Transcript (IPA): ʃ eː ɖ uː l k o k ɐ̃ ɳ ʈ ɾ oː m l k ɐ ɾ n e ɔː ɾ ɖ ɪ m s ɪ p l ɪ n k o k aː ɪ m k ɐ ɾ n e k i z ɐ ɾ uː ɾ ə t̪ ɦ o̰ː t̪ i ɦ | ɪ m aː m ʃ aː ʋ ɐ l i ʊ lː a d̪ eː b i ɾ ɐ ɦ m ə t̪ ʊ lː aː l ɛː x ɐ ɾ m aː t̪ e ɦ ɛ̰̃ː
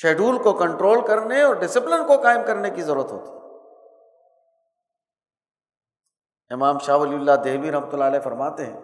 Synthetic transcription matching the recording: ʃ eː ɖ uː l k o k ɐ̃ ɳ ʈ ɾ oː l k ɐ ɾ n e ɔː ɾ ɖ ɪ s ɪ p l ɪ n k o k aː ɪ m k ɐ ɾ n e k i z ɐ ɾ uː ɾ ə t̪ ɦ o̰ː t̪ i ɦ | ɪ m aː m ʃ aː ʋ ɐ l i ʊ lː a d̪ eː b i ɾ ɐ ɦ m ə t̪ ʊ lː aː l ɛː f ɐ ɾ m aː t̪ e ɦ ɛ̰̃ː